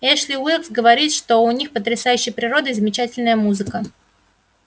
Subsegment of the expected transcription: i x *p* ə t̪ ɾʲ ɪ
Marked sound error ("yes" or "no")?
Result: no